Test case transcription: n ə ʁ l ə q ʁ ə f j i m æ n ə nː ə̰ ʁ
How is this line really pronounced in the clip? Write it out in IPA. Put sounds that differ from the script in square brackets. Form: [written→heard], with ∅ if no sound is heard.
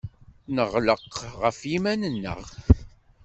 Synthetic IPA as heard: n ə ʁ l ə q ʁ ə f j i m æ n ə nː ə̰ ʁ

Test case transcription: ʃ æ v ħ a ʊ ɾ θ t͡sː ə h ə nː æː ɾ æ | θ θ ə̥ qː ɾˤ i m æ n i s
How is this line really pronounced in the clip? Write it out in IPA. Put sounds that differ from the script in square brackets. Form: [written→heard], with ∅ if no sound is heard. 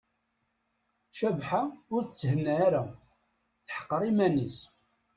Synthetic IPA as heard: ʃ æ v ħ a ʊ ɾ θ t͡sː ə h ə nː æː ɾ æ | θ [θ→ħ] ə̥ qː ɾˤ i m æ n i s

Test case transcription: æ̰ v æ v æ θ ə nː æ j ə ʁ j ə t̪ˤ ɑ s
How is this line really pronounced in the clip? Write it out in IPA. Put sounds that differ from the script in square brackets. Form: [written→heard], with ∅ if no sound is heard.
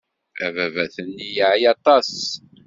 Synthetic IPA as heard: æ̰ v æ v æ θ ə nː [æ→i] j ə [ʁ→ʕ] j [ə→ɑ] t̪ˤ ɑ s

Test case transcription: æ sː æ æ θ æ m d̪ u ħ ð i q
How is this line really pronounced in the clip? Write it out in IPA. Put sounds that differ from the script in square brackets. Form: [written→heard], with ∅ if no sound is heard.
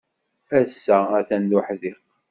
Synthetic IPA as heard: æ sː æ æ θ æ [m→n] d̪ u ħ ð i q

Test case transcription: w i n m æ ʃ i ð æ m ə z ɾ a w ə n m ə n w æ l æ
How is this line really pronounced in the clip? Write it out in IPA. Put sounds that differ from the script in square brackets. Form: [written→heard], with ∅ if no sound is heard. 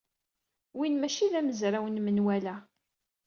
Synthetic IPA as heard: w i n m æ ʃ i ð æ m ə z ɾ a w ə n m ə n w æ l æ

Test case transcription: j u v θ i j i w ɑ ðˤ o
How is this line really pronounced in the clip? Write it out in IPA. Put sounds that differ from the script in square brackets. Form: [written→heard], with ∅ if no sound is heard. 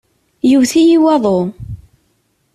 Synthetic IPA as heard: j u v θ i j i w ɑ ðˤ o

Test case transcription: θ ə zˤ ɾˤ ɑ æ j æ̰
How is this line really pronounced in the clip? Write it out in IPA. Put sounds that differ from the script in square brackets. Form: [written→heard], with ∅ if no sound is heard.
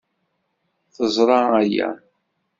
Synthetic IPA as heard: θ ə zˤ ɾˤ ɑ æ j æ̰

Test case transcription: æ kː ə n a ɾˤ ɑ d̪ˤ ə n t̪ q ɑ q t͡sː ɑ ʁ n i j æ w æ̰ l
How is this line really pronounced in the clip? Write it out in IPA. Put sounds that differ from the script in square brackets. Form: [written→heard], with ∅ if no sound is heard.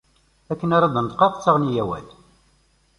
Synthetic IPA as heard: æ kː ə n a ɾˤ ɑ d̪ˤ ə n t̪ q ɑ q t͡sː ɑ ʁ n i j æ w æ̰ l

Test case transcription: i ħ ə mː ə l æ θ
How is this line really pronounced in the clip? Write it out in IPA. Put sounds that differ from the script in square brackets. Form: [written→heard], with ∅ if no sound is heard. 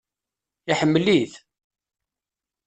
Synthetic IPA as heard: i ħ ə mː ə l [æ→i] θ

